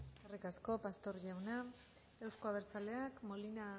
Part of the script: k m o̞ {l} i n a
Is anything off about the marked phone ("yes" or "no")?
no